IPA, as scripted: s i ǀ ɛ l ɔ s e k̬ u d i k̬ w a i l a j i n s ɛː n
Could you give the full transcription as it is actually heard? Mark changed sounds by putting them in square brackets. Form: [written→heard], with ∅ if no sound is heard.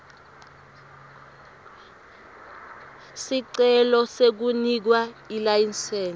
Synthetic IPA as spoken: s i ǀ ɛ l ɔ s e k̬ u [d→n] i k̬ w a i l a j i n s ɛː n

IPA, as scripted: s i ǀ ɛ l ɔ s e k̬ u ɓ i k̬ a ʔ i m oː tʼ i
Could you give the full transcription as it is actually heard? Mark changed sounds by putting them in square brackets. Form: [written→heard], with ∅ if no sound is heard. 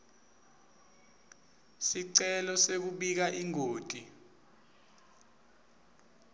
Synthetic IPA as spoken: s i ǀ ɛ l ɔ s e k̬ u ɓ i k̬ a ʔ i [m→ŋ] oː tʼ i

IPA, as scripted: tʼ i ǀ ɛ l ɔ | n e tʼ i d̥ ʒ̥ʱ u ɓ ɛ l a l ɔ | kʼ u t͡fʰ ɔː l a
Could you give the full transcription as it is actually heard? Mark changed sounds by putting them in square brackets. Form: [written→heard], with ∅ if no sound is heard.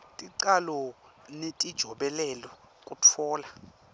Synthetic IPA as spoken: tʼ i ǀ [ɛ→a] l ɔ | n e tʼ i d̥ ʒ̥ʱ [u→ɔ] ɓ ɛ l [a→ɛ] l ɔ | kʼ u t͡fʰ ɔː l a

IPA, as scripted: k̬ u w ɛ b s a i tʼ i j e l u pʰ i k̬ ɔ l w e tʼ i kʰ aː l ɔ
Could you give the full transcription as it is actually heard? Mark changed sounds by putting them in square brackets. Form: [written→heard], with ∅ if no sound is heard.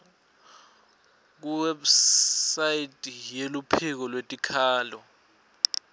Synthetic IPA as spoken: k̬ u w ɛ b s a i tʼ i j e l u pʰ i k̬ ɔ l w e tʼ i kʰ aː l ɔ

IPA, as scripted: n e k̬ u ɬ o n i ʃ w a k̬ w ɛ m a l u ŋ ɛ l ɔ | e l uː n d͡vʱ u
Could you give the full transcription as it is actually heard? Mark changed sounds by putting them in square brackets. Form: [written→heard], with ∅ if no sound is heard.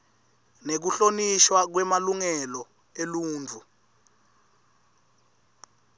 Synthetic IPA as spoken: n e k̬ u ɬ o n i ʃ w a k̬ w ɛ m a l u ŋ ɛ l ɔ | e l uː n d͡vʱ u

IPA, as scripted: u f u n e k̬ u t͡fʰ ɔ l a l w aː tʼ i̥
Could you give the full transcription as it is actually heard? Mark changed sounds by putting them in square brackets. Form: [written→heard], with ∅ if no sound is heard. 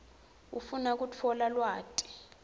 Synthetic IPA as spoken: u f u n [e→a] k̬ u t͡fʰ ɔ l a l w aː tʼ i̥

